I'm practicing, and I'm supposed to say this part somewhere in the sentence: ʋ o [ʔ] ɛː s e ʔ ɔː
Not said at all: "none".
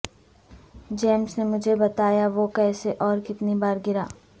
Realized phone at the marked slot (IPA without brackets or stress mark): k